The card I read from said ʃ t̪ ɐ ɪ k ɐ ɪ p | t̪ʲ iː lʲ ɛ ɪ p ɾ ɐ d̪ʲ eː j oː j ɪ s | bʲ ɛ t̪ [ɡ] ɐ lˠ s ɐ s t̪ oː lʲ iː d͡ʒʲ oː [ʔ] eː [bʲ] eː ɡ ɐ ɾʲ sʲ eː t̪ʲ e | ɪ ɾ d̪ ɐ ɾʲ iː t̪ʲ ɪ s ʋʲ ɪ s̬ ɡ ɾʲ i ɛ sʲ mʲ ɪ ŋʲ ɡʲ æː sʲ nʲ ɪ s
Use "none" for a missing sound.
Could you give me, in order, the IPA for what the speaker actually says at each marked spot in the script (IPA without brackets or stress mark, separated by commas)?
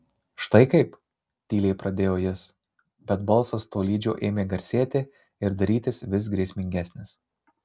b, ʔ, mʲ